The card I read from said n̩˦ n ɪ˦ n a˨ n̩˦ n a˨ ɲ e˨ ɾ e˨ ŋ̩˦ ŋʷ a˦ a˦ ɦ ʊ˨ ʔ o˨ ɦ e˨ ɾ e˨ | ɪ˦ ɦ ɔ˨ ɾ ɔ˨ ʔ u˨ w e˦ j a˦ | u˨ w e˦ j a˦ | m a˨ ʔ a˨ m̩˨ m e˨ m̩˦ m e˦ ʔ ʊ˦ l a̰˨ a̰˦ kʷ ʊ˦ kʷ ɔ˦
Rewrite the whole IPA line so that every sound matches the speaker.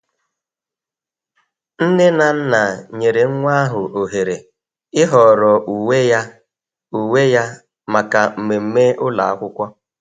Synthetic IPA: n̩˦ n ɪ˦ n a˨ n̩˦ n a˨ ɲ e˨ ɾ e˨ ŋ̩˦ ŋʷ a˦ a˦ ɦ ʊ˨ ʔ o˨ ɦ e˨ ɾ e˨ | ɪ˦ ɦ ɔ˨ ɾ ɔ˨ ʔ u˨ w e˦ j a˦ | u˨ w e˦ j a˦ | m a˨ k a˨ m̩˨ m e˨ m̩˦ m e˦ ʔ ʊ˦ l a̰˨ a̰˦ kʷ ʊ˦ kʷ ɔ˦